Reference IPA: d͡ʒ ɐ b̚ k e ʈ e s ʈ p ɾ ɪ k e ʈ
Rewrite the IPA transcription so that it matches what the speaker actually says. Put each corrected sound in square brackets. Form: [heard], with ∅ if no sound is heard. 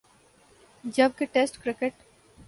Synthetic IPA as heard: d͡ʒ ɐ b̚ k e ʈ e s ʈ [k] ɾ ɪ k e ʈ